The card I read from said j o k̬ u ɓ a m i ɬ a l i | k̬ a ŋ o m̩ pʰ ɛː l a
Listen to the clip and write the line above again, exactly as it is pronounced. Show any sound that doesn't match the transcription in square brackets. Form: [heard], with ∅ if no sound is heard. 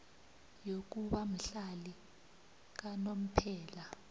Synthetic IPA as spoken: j o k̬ u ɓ a m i ɬ a l i | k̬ a [n] o m̩ pʰ ɛː l a